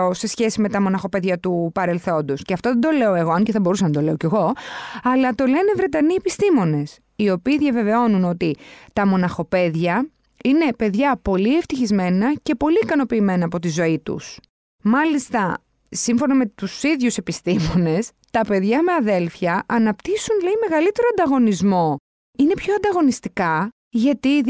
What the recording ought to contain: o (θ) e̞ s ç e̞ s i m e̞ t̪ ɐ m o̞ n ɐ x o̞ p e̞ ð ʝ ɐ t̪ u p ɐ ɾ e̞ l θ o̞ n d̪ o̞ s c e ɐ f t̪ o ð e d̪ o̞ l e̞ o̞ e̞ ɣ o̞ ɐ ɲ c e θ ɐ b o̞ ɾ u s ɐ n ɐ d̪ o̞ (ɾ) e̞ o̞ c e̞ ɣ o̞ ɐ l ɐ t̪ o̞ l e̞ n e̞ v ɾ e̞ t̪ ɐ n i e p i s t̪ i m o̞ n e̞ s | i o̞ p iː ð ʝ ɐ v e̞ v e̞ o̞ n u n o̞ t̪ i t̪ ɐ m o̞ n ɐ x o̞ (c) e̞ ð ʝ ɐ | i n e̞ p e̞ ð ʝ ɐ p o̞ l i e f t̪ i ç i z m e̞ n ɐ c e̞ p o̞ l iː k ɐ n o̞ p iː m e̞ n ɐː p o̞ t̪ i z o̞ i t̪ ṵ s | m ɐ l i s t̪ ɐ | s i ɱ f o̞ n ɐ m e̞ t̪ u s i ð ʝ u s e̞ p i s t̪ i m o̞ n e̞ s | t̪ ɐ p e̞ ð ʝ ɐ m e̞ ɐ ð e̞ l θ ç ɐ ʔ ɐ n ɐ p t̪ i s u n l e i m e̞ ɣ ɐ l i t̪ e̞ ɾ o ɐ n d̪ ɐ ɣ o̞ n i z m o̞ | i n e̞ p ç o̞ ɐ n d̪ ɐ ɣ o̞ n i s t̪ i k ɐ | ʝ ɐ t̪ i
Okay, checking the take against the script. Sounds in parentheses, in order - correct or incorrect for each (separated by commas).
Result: incorrect, incorrect, incorrect